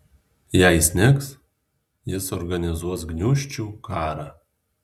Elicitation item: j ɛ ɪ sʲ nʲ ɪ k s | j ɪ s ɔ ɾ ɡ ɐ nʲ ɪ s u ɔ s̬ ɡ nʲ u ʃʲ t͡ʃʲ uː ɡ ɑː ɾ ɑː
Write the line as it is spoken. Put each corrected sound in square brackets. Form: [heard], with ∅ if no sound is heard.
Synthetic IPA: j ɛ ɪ sʲ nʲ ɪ k s | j ɪ s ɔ ɾ ɡ ɐ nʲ ɪ [z] u ɔ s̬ ɡ nʲ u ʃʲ t͡ʃʲ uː [k] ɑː ɾ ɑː